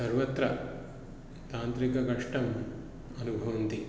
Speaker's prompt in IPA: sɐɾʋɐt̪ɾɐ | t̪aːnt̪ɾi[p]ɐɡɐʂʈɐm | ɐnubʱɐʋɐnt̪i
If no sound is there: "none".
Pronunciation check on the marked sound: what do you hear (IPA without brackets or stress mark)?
k